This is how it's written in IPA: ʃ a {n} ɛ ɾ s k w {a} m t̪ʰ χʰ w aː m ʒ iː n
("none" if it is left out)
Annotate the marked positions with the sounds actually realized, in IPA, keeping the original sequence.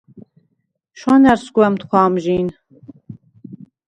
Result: n, ɛ

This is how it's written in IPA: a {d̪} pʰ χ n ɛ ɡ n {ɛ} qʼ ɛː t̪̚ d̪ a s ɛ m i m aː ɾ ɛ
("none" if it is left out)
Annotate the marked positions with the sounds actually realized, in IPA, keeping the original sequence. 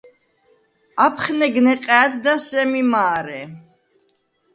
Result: none, ɛ

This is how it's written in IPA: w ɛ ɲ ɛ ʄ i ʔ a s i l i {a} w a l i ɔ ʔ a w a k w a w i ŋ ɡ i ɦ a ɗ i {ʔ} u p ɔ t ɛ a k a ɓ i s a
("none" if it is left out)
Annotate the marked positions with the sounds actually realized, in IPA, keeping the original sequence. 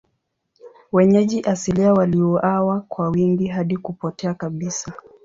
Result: a, k

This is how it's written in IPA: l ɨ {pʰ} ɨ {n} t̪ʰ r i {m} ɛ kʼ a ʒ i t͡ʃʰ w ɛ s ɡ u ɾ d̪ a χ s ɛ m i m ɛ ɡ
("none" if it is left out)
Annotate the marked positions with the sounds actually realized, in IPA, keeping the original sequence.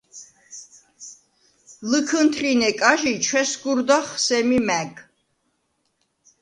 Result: kʰ, n, n

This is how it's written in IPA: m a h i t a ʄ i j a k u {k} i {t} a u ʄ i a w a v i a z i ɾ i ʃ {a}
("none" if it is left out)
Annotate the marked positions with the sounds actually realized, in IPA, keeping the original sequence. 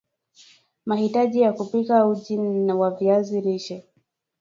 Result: p, k, ɛ

